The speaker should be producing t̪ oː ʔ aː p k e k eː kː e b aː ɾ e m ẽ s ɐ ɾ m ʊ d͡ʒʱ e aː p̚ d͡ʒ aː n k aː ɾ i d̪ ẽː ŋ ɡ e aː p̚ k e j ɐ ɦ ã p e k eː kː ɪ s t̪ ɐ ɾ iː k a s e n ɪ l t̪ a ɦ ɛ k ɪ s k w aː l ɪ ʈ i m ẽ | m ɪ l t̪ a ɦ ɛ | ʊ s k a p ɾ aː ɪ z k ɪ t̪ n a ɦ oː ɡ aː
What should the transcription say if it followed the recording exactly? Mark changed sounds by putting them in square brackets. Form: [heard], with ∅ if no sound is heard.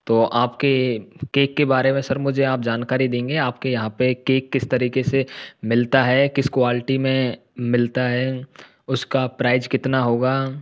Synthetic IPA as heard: t̪ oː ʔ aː p k e k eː kː e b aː ɾ e m ẽ s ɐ ɾ m ʊ d͡ʒʱ e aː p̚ d͡ʒ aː n k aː ɾ i d̪ ẽː ŋ ɡ e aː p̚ k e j ɐ ɦ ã p e k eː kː ɪ s t̪ ɐ ɾ iː k [e] s e [m] ɪ l t̪ a ɦ ɛ k ɪ s k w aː l ɪ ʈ i m ẽ | m ɪ l t̪ a ɦ ɛ | ʊ s k a p ɾ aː ɪ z k ɪ t̪ n a ɦ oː ɡ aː